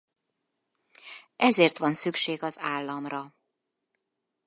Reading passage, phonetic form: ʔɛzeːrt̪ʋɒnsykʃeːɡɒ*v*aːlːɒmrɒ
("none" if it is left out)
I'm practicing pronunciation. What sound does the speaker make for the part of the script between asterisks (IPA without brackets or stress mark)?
z